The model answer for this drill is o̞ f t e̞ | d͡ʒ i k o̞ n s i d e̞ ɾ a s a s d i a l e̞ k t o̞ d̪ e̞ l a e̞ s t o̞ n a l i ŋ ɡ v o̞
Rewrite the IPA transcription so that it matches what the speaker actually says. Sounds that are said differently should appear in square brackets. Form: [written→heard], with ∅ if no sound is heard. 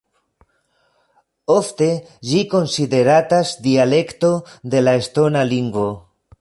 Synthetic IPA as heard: o̞ f t e̞ | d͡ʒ i k o̞ n s i d e̞ ɾ a [s→t] a s d i a l e̞ k t o̞ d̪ e̞ l a e̞ s t o̞ n a l i ŋ ɡ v o̞